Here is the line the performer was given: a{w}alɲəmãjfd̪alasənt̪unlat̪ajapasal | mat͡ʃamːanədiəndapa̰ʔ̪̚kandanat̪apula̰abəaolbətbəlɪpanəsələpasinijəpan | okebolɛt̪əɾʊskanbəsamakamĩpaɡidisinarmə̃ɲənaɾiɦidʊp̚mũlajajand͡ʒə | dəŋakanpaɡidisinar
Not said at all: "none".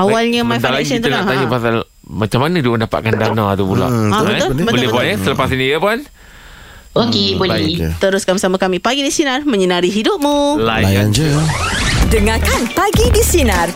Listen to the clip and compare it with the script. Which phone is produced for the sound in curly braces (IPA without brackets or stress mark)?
w